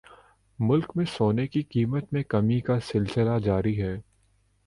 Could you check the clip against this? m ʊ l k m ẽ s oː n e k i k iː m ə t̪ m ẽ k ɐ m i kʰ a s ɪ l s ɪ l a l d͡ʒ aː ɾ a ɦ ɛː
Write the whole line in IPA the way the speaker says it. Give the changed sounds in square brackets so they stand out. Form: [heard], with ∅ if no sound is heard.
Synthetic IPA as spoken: m ʊ l k m ẽ s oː n e k i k iː m ə t̪ m ẽ k ɐ m i [k] a s ɪ l s ɪ l a [∅] d͡ʒ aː ɾ [i] ɦ ɛː

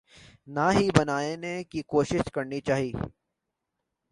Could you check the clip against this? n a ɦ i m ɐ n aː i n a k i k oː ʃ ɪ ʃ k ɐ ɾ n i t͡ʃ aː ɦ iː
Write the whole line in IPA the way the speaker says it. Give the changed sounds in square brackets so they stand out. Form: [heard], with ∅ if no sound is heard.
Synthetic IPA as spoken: n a ɦ i [b] ɐ n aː [e] n [e] k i k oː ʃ ɪ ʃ k ɐ ɾ n i t͡ʃ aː ɦ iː

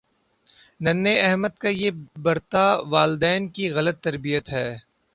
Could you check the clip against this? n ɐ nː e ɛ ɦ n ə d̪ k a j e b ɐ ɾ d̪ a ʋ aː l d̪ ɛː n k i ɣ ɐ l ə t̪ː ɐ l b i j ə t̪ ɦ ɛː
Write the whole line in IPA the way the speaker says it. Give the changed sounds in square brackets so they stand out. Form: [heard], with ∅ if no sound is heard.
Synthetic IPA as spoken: n ɐ nː e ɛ ɦ [m] ə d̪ k a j e b ɐ ɾ [t̪] a ʋ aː l d̪ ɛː n k i ɣ ɐ l ə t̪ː ɐ [ɾ] b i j ə t̪ ɦ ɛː

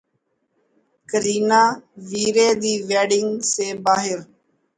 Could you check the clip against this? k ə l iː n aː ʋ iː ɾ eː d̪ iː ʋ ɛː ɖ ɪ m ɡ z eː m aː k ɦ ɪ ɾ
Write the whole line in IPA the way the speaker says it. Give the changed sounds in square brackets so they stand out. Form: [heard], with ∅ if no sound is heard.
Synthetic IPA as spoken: k ə [ɾ] iː n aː ʋ iː ɾ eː d̪ iː ʋ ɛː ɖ ɪ [ŋ] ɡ [s] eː [b] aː [∅] ɦ ɪ ɾ

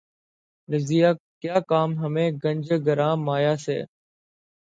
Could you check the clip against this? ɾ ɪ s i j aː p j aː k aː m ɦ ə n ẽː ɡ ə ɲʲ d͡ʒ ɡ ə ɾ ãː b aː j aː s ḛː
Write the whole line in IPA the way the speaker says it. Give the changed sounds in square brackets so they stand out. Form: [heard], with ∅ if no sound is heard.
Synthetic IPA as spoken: ɾ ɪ [z] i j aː [k] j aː k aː m ɦ ə [m] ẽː ɡ ə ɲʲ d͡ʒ ɡ ə ɾ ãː [m] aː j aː s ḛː

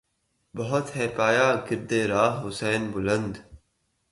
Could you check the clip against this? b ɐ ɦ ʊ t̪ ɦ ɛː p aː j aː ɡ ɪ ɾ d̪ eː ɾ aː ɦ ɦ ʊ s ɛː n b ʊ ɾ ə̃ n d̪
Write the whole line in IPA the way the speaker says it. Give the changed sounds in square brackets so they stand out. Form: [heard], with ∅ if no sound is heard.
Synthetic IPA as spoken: b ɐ ɦ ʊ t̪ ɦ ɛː p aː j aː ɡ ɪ ɾ d̪ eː ɾ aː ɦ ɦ ʊ s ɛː n b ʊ [l] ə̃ n d̪

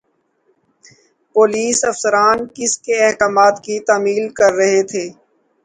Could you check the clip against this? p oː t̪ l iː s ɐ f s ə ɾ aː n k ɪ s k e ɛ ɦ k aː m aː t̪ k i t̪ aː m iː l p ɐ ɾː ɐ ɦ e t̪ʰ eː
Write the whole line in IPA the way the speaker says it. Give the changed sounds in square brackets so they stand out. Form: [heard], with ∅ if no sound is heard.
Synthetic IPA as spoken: p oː [∅] l iː s ɐ f s ə ɾ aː n k ɪ s k e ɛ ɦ k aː m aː t̪ k i t̪ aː m iː l [k] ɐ ɾː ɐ ɦ e t̪ʰ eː

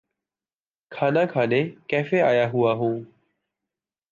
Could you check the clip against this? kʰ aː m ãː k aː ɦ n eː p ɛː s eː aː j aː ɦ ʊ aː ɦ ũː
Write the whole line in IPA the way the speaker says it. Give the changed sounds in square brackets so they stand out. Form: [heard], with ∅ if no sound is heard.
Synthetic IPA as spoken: kʰ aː [n] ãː [kʰ] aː [∅] n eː [k] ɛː [f] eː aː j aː ɦ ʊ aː ɦ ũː

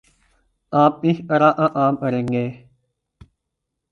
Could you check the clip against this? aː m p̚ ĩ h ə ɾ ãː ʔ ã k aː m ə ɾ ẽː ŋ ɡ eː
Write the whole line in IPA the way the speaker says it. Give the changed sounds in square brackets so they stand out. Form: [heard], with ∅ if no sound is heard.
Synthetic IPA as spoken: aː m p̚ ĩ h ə ɾ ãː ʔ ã [ʔ] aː m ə ɾ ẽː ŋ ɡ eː

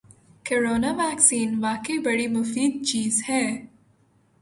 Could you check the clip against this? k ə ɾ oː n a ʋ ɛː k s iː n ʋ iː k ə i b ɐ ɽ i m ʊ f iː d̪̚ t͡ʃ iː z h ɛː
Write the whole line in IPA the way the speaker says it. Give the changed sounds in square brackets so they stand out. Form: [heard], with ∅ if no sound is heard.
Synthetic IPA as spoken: k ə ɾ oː n a ʋ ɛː k s iː n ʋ [aː] k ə i b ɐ ɽ i m ʊ f iː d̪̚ t͡ʃ iː z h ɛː

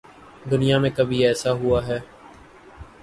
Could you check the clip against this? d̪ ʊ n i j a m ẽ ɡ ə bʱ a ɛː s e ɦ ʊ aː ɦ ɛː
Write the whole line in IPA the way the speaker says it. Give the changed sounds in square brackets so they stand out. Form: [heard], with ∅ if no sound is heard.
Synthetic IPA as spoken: d̪ ʊ n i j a m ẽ [k] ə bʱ [i] ɛː s [a] ɦ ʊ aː ɦ ɛː

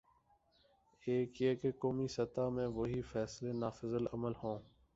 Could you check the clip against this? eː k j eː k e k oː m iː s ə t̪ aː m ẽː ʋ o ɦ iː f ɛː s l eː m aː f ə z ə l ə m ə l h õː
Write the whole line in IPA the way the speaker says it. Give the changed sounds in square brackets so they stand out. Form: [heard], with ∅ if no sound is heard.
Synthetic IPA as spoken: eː k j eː k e k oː m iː s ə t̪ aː m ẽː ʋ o ɦ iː f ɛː s l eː [n] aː f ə z ə l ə m ə l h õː

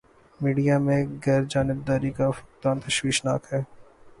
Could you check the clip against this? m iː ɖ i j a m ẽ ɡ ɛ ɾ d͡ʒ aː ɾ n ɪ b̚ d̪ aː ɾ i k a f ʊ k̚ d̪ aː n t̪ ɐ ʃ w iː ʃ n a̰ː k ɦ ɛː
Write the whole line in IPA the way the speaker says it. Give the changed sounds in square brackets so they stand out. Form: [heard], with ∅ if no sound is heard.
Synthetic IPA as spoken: m iː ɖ i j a m ẽ ɡ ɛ ɾ d͡ʒ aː [∅] n ɪ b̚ d̪ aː ɾ i k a f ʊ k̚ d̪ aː n t̪ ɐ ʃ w iː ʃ n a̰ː k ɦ ɛː

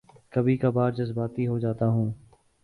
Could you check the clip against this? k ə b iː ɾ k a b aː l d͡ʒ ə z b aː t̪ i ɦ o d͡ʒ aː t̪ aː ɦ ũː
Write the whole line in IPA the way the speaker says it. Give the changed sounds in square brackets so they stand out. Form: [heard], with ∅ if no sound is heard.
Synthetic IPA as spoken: k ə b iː [∅] k a b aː [ɾ] d͡ʒ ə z b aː t̪ i ɦ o d͡ʒ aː t̪ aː ɦ ũː

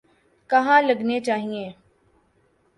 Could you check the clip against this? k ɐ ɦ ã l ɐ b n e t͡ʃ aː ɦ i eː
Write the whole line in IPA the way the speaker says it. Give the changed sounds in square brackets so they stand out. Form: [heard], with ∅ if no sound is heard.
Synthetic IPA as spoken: k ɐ ɦ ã l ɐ [ɡ] n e t͡ʃ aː ɦ i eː

